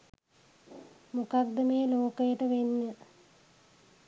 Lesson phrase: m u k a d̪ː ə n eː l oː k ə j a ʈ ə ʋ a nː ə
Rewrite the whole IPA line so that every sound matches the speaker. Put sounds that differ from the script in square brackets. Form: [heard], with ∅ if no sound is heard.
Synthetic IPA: m u k a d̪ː ə [m] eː l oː k ə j [ə] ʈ ə ʋ [e] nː ə